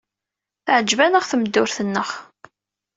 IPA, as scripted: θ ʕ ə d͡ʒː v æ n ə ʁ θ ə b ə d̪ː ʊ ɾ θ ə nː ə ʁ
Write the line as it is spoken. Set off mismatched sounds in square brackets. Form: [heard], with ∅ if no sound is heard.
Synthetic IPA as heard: θ ʕ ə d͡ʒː v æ n ə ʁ θ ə [m] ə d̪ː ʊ ɾ θ ə nː ə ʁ

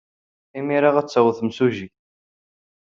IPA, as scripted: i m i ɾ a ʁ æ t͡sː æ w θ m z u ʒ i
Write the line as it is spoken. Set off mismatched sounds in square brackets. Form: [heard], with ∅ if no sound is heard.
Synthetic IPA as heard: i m i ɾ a ʁ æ t͡sː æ w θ m [s] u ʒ i

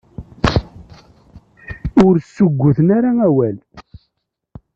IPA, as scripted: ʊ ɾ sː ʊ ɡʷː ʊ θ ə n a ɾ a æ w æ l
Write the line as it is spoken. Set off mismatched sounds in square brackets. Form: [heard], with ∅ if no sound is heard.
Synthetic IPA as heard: ʊ ɾ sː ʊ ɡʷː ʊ θ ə n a ɾ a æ w æ l

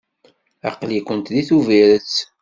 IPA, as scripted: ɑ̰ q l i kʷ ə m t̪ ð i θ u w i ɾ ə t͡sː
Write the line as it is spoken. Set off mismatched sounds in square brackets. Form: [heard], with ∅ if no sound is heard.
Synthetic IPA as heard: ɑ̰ q l i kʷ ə [n] t̪ ð i θ u [v] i ɾ ə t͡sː

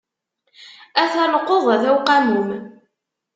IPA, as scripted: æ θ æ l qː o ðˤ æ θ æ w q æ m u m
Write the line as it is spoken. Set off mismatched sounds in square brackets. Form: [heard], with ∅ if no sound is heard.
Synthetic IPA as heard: æ θ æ l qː o ðˤ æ [ð] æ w q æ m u m

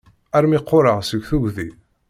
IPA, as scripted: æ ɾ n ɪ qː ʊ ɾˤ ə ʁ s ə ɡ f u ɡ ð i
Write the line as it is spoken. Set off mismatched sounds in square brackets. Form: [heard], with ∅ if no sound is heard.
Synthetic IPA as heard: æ ɾ [m] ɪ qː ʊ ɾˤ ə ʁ s ə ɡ [θ] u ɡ ð i

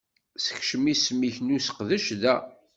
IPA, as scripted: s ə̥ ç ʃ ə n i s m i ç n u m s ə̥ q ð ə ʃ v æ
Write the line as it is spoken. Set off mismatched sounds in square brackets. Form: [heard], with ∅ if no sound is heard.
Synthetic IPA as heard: s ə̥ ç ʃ ə [m] i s m i ç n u [∅] s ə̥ q ð ə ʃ [ð] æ

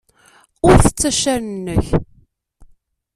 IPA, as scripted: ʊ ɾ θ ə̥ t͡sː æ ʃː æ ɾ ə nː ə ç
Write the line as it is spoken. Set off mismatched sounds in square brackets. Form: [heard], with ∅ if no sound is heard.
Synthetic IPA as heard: ʊ ɾ θ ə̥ t͡sː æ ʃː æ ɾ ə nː ə ç

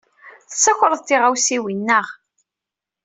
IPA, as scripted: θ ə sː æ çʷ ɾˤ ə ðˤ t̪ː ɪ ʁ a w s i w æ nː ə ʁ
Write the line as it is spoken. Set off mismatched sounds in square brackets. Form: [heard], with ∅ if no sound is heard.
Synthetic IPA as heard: θ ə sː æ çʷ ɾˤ ə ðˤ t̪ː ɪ ʁ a w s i w [i] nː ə ʁ

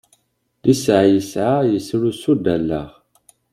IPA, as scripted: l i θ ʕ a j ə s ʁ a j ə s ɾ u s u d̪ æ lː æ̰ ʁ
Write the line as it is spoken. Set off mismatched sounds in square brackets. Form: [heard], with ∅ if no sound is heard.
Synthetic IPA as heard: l i [s] ʕ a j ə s [ʕ] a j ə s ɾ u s u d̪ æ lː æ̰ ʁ

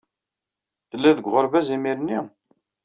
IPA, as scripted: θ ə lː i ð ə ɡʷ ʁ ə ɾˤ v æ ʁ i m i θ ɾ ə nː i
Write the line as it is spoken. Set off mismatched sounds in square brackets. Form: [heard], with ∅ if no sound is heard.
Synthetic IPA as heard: θ ə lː [æ] ð ə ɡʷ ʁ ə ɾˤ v æ [z] i m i [∅] ɾ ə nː i

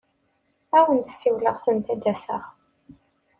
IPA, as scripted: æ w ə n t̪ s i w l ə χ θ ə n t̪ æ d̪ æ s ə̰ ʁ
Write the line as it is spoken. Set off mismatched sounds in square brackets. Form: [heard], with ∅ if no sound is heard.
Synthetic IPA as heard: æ w ə n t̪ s i w l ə [ʁ] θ ə n t̪ æ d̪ æ s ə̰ ʁ

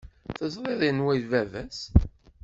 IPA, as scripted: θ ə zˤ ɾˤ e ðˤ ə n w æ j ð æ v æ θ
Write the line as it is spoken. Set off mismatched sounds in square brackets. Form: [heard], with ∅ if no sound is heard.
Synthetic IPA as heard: θ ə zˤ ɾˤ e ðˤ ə n w æ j [v] æ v æ [s]

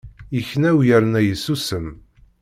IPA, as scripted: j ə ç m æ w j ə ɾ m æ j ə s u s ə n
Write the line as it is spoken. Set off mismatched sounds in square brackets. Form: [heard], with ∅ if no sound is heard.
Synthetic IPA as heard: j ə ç [n] æ w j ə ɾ [n] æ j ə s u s ə [m]

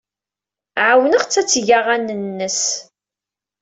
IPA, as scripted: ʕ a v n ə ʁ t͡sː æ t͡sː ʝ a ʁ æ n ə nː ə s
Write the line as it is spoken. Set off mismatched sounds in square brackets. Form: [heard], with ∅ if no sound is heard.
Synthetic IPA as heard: ʕ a [w] n ə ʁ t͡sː æ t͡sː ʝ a ʁ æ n ə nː ə s

